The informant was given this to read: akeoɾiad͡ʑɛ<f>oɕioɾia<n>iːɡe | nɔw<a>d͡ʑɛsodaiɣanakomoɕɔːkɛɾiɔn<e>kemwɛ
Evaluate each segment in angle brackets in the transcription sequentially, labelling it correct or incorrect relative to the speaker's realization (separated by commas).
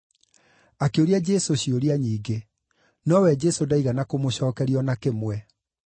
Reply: incorrect, incorrect, incorrect, incorrect